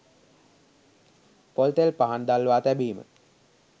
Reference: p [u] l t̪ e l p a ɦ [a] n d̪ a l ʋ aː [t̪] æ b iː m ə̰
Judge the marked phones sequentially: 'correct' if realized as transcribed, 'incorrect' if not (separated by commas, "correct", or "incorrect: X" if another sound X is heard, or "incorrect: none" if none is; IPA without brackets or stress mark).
incorrect: o, correct, correct